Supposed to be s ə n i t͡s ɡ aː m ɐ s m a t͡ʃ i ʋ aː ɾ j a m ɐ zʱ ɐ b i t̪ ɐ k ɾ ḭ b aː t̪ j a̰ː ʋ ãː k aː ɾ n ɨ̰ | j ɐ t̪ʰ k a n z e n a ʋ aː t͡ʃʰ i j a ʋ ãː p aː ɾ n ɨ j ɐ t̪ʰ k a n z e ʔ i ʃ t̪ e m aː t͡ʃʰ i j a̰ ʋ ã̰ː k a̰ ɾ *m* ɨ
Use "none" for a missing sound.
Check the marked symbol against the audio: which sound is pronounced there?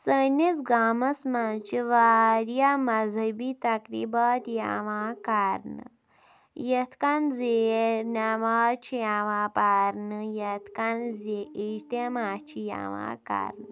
n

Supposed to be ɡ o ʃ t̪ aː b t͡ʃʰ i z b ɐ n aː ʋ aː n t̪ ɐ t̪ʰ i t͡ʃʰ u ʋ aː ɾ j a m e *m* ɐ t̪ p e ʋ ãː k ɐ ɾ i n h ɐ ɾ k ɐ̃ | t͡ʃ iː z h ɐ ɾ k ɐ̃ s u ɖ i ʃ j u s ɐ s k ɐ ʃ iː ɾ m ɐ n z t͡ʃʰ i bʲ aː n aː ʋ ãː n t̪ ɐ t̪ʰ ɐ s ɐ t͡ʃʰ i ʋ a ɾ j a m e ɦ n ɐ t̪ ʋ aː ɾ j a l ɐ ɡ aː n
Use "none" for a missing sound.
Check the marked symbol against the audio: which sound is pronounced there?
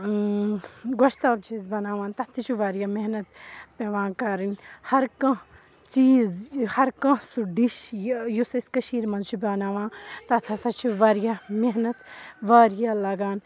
n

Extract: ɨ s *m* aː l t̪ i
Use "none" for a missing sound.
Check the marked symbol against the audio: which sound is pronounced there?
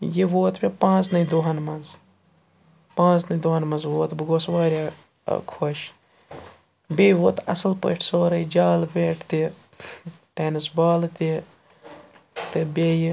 b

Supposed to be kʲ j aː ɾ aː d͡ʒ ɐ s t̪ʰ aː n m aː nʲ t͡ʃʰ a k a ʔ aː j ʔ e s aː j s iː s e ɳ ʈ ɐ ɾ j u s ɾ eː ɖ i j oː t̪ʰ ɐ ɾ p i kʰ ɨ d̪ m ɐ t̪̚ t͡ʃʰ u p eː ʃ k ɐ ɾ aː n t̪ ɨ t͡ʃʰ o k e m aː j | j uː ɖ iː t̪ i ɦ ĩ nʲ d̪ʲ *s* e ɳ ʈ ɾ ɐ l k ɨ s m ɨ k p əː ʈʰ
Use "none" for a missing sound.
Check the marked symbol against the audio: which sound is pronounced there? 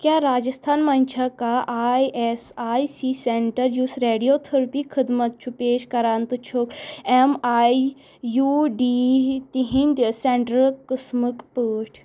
s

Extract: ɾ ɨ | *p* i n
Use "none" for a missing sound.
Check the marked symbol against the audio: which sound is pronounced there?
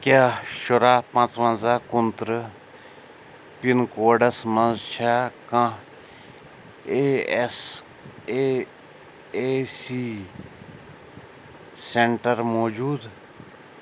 p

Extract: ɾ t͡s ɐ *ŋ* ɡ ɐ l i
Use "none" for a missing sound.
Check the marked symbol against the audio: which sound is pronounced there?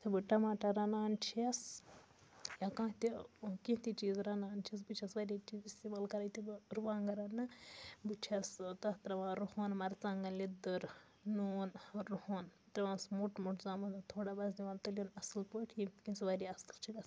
ŋ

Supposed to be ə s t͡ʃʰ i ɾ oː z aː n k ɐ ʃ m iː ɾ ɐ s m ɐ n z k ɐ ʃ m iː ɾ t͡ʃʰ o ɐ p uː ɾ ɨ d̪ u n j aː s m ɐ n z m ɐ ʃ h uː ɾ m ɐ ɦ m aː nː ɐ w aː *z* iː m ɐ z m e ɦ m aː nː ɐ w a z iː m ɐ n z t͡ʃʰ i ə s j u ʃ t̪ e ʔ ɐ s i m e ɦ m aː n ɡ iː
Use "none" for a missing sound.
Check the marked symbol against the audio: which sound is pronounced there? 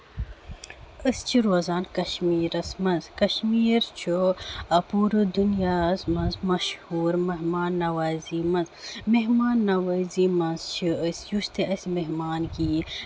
z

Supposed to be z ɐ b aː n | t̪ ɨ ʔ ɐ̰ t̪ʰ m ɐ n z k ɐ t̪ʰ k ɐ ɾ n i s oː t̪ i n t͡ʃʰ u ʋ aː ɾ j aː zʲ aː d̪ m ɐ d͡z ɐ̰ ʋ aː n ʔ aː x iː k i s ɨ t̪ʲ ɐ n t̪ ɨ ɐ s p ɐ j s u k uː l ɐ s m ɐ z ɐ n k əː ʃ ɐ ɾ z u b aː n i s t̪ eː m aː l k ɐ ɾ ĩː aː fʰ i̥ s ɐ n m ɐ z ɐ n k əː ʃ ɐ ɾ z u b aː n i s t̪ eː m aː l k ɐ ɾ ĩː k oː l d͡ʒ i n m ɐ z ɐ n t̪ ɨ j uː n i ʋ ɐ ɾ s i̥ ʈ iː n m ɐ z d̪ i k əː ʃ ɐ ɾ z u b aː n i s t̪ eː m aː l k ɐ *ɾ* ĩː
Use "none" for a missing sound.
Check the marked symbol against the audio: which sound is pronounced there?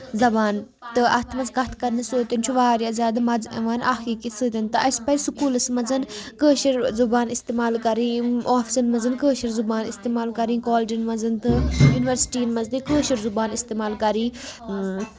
ɾ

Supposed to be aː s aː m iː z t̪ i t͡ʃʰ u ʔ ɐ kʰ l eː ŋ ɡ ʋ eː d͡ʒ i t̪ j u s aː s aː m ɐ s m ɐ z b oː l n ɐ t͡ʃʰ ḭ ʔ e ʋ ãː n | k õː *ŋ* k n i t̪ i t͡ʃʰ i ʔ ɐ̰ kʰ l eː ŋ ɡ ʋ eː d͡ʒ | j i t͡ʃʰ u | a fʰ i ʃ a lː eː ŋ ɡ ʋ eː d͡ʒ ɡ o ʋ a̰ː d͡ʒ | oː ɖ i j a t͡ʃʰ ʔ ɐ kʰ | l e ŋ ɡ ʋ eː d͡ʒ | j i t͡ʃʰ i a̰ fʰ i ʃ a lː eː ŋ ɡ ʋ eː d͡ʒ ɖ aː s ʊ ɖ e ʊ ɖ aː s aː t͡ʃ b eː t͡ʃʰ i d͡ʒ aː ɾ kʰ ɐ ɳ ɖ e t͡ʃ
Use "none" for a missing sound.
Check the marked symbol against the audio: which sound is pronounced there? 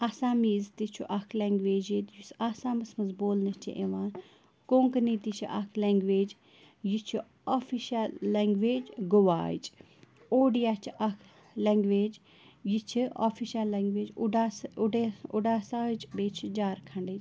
ŋ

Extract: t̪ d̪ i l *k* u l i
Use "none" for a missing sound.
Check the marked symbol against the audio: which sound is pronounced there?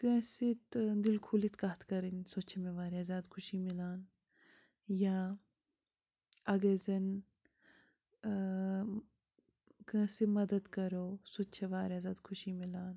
kʰ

